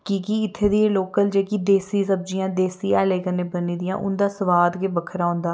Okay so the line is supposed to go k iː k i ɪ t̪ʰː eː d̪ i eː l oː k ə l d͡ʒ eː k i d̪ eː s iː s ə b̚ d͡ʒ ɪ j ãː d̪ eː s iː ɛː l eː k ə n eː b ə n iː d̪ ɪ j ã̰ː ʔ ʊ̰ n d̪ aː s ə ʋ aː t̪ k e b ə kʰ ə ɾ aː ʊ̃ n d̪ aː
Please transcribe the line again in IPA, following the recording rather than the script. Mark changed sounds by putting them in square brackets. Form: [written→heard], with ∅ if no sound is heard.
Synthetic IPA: k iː k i ɪ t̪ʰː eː d̪ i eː l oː k ə l d͡ʒ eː k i d̪ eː s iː s ə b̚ d͡ʒ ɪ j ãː d̪ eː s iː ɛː l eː k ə n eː b ə n iː d̪ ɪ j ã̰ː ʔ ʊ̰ n d̪ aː s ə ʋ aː [t̪→d̪] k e b ə kʰ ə ɾ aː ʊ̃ n d̪ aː